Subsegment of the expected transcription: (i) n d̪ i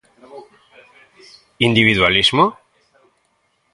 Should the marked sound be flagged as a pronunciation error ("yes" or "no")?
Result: no